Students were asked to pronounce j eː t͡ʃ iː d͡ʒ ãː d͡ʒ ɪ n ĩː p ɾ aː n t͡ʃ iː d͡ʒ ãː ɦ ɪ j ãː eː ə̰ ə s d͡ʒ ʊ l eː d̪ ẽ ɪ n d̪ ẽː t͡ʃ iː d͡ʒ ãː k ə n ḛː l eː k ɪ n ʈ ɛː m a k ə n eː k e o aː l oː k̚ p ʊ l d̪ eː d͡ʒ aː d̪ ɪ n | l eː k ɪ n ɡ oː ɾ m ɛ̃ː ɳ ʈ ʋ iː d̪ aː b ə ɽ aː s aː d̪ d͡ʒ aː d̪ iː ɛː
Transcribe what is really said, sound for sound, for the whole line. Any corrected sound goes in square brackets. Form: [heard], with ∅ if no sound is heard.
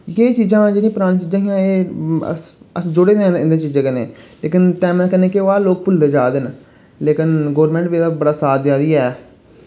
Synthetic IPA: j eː t͡ʃ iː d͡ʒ ãː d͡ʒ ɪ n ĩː p ɾ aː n t͡ʃ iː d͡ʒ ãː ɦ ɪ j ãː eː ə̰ ə s d͡ʒ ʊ [ɽ] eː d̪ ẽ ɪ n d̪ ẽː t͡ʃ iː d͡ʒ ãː k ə n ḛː l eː k ɪ n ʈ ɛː m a k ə n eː k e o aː l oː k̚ p ʊ l d̪ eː d͡ʒ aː d̪ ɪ n | l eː k ɪ n ɡ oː ɾ m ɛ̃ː ɳ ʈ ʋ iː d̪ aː b ə ɽ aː s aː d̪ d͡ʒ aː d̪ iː ɛː